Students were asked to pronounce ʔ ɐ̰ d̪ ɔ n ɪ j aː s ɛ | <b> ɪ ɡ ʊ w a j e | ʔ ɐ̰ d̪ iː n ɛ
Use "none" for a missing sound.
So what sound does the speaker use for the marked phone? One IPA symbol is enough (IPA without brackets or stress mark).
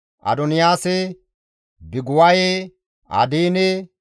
b